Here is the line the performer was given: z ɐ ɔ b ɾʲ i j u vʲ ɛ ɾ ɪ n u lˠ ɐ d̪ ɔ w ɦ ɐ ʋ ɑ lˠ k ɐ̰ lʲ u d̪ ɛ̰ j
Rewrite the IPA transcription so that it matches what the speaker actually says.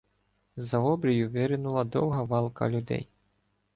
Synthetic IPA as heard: z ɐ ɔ b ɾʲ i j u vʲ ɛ ɾ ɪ n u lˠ ɐ d̪ ɔ w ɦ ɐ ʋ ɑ lˠ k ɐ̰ lʲ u d̪ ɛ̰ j